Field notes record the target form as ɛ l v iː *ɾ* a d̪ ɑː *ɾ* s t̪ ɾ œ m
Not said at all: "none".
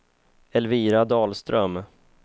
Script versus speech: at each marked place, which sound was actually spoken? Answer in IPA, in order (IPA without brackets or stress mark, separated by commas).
ɾ, l